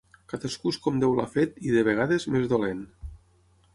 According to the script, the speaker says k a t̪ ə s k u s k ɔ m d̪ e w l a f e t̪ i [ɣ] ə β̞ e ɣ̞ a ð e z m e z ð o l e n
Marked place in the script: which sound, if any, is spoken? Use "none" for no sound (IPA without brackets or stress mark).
ð